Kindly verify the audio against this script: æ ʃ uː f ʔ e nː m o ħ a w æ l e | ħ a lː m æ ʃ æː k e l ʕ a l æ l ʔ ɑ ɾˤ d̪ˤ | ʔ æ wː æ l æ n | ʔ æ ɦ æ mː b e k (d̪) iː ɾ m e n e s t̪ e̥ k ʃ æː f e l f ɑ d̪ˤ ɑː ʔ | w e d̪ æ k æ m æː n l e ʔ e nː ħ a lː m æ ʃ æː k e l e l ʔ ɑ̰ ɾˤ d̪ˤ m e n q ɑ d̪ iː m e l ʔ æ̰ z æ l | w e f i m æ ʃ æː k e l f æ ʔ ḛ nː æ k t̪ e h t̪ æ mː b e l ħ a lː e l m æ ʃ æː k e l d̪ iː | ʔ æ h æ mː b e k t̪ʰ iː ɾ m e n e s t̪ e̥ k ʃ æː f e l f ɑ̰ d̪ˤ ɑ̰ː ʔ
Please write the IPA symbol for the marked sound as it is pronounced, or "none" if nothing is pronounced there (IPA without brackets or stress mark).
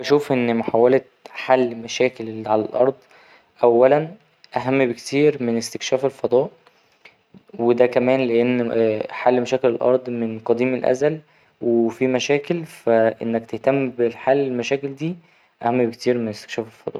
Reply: t̪